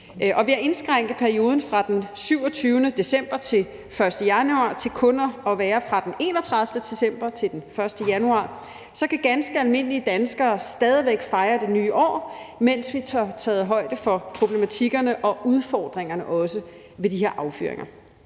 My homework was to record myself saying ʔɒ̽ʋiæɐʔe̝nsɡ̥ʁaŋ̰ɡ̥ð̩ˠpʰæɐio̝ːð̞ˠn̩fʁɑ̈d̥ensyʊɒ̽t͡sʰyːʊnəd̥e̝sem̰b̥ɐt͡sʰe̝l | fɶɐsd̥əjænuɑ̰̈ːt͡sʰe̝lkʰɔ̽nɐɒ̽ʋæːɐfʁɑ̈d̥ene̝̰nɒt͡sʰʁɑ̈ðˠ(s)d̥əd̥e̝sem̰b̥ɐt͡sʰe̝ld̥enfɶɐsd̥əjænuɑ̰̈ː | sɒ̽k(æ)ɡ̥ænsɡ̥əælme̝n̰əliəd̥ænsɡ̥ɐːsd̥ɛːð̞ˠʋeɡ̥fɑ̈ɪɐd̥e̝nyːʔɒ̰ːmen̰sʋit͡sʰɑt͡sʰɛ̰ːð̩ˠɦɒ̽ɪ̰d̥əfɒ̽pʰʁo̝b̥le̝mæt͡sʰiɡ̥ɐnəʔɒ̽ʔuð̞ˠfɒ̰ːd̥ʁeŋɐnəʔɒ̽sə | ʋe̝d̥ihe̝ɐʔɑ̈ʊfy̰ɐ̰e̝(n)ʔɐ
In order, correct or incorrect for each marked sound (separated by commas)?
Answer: incorrect, correct, incorrect